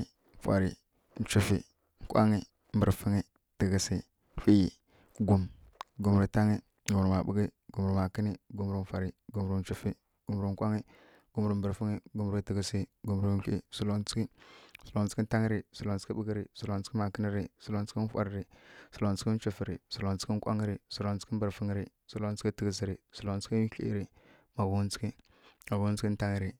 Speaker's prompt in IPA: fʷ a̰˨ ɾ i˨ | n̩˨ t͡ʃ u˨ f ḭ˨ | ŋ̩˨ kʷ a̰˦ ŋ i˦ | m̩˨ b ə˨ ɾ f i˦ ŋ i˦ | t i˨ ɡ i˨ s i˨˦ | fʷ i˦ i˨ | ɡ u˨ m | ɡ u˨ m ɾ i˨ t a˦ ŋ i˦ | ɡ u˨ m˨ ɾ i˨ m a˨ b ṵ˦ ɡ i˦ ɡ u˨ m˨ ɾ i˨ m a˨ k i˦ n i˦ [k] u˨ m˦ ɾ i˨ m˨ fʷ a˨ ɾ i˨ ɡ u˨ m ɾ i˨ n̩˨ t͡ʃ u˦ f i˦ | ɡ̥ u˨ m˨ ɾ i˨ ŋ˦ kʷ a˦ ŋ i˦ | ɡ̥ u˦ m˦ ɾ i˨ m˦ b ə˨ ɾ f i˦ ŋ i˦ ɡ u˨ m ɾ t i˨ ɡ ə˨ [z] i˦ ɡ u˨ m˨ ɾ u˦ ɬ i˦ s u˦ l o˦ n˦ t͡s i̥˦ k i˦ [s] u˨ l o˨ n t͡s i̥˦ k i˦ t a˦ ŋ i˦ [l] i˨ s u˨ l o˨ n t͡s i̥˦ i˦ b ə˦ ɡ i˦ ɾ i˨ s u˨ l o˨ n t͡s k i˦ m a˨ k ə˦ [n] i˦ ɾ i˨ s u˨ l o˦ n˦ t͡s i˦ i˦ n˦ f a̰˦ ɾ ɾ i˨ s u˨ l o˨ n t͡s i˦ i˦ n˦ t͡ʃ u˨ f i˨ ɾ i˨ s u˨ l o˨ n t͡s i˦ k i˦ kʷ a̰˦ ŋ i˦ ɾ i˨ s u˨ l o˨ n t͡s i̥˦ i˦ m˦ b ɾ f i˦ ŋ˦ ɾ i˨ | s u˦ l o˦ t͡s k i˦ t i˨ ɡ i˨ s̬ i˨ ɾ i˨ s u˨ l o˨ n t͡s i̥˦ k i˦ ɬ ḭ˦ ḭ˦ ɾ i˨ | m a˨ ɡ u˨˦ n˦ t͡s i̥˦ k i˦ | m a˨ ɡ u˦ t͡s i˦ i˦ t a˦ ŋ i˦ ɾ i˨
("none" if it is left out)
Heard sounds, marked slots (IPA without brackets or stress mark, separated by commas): ɡ, s, s, ɾ, n